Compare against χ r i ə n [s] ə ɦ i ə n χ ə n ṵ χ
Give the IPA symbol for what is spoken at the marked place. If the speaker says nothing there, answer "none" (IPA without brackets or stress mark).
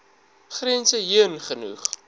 s